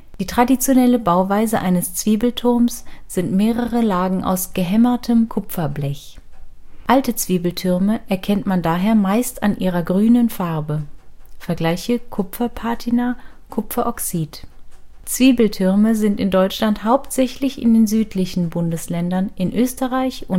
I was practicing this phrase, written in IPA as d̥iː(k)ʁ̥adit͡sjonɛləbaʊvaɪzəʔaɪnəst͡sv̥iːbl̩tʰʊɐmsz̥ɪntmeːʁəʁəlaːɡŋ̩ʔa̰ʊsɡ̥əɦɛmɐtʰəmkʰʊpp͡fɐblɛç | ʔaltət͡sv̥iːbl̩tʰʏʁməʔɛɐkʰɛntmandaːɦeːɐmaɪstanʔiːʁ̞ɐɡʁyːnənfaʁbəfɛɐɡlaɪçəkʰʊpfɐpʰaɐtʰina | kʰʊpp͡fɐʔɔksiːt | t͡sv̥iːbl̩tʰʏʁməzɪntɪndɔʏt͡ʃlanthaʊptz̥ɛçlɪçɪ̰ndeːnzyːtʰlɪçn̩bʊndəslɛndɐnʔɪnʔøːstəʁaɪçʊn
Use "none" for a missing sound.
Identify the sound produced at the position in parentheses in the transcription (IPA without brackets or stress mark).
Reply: t